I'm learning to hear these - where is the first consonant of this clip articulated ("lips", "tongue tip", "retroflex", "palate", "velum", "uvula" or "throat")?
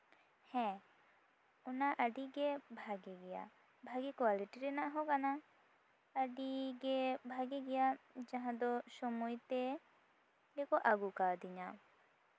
throat